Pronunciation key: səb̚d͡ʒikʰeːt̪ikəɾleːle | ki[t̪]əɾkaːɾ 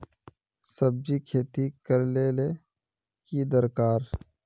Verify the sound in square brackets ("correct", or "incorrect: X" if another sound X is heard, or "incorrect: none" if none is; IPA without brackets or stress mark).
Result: incorrect: d̪